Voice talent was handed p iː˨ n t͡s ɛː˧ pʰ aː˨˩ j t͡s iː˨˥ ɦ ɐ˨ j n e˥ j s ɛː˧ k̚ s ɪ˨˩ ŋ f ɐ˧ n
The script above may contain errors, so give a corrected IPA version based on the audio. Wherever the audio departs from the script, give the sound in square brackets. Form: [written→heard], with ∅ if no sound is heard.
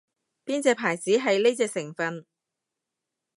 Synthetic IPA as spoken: p [iː˨→iː˥] n t͡s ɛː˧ pʰ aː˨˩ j t͡s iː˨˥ ɦ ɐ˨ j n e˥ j [s→t͡s] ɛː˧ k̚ s ɪ˨˩ ŋ f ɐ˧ n